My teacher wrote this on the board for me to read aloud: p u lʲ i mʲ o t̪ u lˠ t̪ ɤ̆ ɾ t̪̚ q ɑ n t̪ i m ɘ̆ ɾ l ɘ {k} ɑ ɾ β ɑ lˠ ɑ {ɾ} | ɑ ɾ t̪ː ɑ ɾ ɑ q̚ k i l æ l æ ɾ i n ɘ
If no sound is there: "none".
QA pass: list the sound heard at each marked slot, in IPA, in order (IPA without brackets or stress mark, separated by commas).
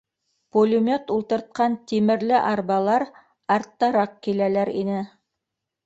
ʔ, ɾ